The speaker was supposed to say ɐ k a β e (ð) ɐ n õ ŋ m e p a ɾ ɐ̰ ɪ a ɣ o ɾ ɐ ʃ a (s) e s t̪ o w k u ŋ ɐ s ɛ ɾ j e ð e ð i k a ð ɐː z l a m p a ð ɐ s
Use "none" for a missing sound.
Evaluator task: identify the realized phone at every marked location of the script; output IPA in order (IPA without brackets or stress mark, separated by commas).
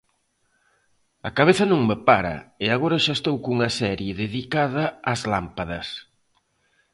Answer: θ, none